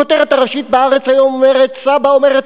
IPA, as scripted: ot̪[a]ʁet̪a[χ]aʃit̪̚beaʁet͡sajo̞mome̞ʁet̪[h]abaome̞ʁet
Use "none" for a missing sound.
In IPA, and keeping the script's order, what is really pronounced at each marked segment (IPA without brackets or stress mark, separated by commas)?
e, ʁ, s